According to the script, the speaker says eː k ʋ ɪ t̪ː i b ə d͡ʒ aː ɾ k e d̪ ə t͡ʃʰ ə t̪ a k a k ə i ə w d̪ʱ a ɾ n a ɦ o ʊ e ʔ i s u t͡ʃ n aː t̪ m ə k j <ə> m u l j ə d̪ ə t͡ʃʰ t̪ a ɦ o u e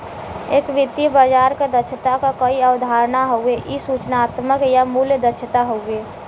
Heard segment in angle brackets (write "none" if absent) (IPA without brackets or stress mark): a